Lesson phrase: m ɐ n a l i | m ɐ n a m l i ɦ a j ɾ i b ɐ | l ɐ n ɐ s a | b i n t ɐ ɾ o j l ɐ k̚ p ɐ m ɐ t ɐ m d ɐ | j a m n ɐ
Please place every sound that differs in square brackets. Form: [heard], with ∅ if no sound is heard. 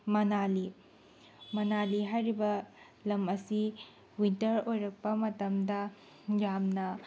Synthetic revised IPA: m ɐ n a l i | m ɐ n a [∅] l i ɦ a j ɾ i b ɐ | l ɐ [m] ɐ s [i] | [w] i n t ɐ ɾ o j [ɾ] ɐ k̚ p ɐ m ɐ t ɐ m d ɐ | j a m n ɐ